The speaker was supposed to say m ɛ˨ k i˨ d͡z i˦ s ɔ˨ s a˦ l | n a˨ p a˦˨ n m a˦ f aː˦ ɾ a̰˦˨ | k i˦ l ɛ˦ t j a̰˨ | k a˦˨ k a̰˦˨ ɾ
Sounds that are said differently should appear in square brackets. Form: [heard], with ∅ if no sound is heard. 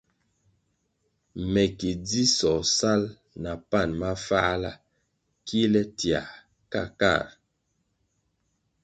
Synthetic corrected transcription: m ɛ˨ k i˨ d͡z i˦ s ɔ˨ s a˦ l | n a˨ p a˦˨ n m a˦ f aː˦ [l] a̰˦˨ | k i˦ l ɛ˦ t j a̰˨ | k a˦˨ k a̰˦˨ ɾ

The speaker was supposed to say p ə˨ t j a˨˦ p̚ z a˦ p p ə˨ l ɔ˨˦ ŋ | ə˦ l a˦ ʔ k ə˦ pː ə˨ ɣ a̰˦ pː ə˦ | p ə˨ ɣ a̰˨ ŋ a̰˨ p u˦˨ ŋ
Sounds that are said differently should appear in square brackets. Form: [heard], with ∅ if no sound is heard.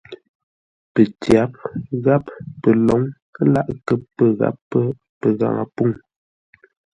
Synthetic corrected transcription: p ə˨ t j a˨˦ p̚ [ɣ] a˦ p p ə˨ l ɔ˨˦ ŋ | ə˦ l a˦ ʔ k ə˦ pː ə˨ ɣ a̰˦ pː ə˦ | p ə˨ ɣ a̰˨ ŋ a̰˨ p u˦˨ ŋ

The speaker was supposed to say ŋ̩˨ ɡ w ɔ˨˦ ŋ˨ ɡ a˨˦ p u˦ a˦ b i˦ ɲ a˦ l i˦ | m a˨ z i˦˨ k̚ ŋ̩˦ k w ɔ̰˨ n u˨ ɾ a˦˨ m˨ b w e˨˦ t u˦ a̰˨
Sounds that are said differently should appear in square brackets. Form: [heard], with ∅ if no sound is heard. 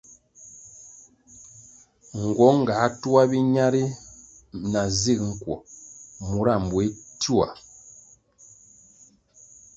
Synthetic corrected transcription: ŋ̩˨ ɡ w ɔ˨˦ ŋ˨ ɡ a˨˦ [t] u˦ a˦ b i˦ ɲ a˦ [ɾ] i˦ | [n] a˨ z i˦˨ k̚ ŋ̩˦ k w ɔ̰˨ [m] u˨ ɾ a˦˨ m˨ b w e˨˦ t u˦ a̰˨

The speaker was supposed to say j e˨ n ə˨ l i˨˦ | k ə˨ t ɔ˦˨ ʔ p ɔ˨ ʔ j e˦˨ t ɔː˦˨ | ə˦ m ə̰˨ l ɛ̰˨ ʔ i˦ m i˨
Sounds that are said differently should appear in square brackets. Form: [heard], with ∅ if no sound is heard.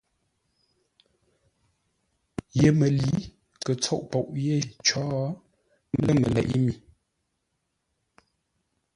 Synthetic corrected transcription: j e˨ [m] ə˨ l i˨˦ | k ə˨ [t͡s] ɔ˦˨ ʔ p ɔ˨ ʔ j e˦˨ [t͡ʃ] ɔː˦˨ | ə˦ m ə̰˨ l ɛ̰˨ ʔ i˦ m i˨

